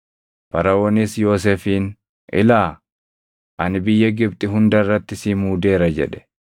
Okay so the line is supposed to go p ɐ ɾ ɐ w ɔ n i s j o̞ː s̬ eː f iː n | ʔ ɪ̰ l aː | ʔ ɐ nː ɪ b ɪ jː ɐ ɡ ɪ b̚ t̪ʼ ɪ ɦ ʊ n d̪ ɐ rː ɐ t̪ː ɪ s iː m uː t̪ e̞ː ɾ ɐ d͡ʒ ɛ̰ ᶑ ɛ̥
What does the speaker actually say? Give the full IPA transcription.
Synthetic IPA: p ɐ ɾ ɐ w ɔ n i s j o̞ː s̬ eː f iː n | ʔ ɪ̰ l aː | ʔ ɐ n ɪ b ɪ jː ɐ ɡ ɪ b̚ t̪ʼ ɪ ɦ ʊ n d̪ ɐ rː ɐ t̪ː ɪ s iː m uː d̪ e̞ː ɾ ɐ d͡ʒ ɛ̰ ᶑ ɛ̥

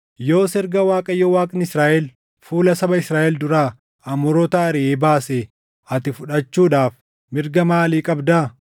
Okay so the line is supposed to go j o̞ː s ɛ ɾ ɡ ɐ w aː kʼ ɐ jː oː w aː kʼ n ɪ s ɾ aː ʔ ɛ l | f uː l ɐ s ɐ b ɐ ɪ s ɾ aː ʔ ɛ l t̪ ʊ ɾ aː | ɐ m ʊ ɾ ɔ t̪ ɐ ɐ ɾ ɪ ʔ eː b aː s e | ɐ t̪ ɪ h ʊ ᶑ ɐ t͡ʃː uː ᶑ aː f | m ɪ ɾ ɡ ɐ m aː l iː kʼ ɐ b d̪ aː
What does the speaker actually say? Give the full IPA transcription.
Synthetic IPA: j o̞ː s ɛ ɾ ɡ ɐ w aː kʼ ɐ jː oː w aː kʼ n ɪ s ɾ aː ʔ ɛ l | f uː l ɐ s ɐ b ɐ ɪ s ɾ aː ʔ ɛ l d̪ ʊ ɾ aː | ɐ m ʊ ɾ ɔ t̪ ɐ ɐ ɾ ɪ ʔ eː b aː s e | ɐ t̪ ɪ f ʊ ᶑ ɐ t͡ʃː uː ᶑ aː f | m ɪ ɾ ɡ ɐ m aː l iː kʼ ɐ b d̪ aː

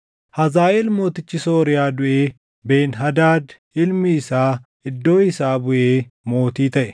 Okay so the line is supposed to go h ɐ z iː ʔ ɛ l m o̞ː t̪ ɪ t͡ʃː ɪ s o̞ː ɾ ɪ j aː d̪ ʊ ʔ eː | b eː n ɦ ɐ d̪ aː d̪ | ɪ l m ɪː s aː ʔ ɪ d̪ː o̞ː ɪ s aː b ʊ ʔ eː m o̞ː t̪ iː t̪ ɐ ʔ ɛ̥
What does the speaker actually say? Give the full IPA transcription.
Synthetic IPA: h ɐ z aː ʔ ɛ l m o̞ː t̪ ɪ t͡ʃː ɪ s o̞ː ɾ ɪ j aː d̪ ʊ ʔ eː | b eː n ɦ ɐ d̪ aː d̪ | ɪ l m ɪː s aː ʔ ɪ d̪ː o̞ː ɪ s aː b ʊ ʔ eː m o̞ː t̪ iː t̪ ɐ ʔ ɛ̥

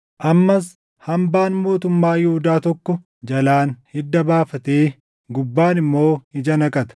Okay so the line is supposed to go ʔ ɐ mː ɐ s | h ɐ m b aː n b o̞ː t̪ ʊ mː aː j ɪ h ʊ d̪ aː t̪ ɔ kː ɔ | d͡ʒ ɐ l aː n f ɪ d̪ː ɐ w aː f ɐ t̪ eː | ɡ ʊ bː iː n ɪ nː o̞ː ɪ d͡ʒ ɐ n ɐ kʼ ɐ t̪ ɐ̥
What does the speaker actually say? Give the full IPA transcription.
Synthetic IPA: ʔ ɐ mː ɐ s | h ɐ m b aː n m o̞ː t̪ ʊ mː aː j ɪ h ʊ d̪ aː t̪ ɔ kː ɔ | d͡ʒ ɐ l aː n h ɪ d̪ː ɐ b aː f ɐ t̪ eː | ɡ ʊ bː aː n ɪ mː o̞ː ɪ d͡ʒ ɐ n ɐ kʼ ɐ t̪ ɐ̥

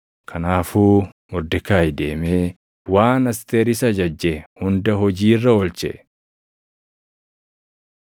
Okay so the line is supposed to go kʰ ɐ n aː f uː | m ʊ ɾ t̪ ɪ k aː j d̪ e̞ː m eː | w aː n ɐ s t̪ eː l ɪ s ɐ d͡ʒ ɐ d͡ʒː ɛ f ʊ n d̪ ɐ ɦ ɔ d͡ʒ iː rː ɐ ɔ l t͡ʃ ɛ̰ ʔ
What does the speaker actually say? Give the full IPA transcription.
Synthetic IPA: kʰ ɐ n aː f uː | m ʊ ɾ d̪ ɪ k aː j d̪ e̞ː m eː | w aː n ɐ s t̪ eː ɾ ɪ s ɐ d͡ʒ ɐ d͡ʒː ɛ h ʊ n d̪ ɐ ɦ ɔ d͡ʒ iː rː ɐ ɔ l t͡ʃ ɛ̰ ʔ

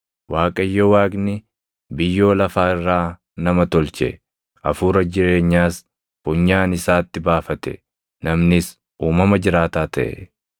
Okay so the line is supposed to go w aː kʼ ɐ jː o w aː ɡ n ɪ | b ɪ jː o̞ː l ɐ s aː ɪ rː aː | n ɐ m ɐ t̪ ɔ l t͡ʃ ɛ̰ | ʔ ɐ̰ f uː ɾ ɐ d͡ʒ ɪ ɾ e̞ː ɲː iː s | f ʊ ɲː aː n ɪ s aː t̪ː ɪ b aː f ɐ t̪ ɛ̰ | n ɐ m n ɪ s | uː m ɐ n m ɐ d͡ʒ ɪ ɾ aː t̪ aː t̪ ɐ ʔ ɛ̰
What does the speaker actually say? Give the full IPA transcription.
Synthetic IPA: w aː kʼ ɐ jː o w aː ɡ n ɪ | b ɪ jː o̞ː l ɐ f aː ɪ rː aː | n ɐ m ɐ t̪ ɔ l t͡ʃ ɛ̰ | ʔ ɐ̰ f uː ɾ ɐ d͡ʒ ɪ ɾ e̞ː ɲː aː s | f ʊ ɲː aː n ɪ s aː t̪ː ɪ b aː f ɐ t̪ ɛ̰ | n ɐ m n ɪ s | uː m ɐ m ɐ d͡ʒ ɪ ɾ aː t̪ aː t̪ ɐ ʔ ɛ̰

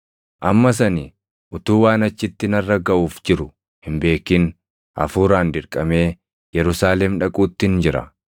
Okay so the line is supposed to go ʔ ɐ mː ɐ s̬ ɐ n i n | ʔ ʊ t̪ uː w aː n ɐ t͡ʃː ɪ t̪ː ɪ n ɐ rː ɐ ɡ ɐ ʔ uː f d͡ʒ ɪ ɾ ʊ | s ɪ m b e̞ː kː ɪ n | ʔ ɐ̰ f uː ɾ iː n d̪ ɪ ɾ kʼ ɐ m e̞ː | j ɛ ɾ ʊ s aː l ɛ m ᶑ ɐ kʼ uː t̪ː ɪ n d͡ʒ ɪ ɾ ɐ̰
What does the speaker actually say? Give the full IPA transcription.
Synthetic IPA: ʔ ɐ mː ɐ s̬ ɐ n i | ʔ ʊ t̪ uː w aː n ɐ t͡ʃː ɪ t̪ː ɪ n ɐ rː ɐ ɡ ɐ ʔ uː f d͡ʒ ɪ ɾ ʊ | h ɪ m b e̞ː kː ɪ n | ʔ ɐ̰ f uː ɾ aː n d̪ ɪ ɾ kʼ ɐ m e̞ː | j ɛ ɾ ʊ s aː l ɛ m ᶑ ɐ kʼ uː t̪ː ɪ n d͡ʒ ɪ ɾ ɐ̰

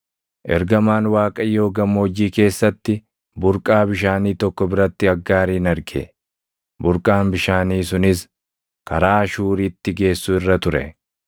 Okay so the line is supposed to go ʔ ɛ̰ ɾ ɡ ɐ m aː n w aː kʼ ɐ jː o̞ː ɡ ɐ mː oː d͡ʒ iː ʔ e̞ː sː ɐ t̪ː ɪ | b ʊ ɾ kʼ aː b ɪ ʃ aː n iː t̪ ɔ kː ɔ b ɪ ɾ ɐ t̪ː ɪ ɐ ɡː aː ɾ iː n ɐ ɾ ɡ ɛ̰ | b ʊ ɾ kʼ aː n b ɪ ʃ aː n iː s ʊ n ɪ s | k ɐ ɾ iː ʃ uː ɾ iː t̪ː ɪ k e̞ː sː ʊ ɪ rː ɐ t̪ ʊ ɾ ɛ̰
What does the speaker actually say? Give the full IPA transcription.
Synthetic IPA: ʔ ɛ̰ ɾ ɡ ɐ m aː n w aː kʼ ɐ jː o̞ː ɡ ɐ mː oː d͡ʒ iː k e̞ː sː ɐ t̪ː ɪ | b ʊ ɾ kʼ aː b ɪ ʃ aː n iː t̪ ɔ kː ɔ b ɪ ɾ ɐ t̪ː ɪ ɐ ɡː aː ɾ iː n ɐ ɾ ɡ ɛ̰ | b ʊ ɾ kʼ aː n b ɪ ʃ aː n iː s ʊ n ɪ s | k ɐ ɾ aː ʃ uː ɾ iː t̪ː ɪ ɡ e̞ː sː ʊ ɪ rː ɐ t̪ ʊ ɾ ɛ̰

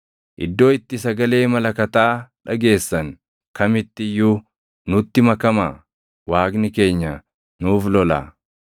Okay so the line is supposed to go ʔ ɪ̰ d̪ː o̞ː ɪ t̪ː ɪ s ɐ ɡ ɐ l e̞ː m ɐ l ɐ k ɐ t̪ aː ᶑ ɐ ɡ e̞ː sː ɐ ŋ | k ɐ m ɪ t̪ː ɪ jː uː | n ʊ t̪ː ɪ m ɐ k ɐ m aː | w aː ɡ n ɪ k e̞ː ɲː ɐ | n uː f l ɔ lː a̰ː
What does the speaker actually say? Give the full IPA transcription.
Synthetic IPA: ʔ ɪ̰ d̪ː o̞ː ɪ t̪ː ɪ s ɐ ɡ ɐ l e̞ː m ɐ l ɐ k ɐ t̪ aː ᶑ ɐ ɡ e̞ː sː ɐ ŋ | k ɐ m ɪ t̪ː ɪ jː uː | n ʊ t̪ː ɪ m ɐ k ɐ m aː | w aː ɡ n ɪ k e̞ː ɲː ɐ | n uː f l ɔ l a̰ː

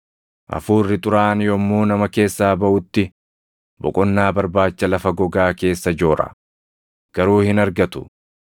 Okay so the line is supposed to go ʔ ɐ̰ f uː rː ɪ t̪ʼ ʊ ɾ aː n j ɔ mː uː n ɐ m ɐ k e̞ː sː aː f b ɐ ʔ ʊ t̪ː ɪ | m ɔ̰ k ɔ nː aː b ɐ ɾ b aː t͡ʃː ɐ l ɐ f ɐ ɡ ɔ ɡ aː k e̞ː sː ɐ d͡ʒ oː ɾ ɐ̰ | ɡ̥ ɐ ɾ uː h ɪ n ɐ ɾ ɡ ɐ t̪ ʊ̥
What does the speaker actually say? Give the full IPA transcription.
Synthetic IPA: ʔ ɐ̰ f uː rː ɪ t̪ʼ ʊ ɾ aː n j ɔ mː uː n ɐ m ɐ k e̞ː sː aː b ɐ ʔ ʊ t̪ː ɪ | b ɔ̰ kʼ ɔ nː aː b ɐ ɾ b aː t͡ʃː ɐ l ɐ f ɐ ɡ ɔ ɡ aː k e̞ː sː ɐ d͡ʒ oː ɾ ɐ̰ | ɡ̥ ɐ ɾ uː h ɪ n ɐ ɾ ɡ ɐ t̪ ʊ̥

